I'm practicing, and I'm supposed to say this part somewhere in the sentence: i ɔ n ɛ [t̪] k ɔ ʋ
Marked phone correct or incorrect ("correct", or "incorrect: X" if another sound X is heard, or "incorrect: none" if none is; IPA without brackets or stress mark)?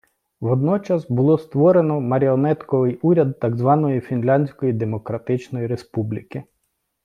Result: correct